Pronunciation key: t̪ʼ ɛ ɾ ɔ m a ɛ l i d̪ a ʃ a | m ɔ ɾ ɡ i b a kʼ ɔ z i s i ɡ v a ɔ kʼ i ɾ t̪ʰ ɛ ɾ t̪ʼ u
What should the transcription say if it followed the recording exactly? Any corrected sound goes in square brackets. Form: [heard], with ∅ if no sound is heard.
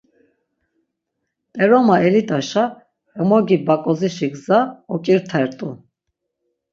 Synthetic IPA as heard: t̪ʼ ɛ ɾ ɔ m a ɛ l i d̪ a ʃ a | m ɔ [∅] ɡ i b a kʼ ɔ z i [ʃ] i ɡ [z] a ɔ kʼ i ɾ t̪ʰ ɛ ɾ t̪ʼ u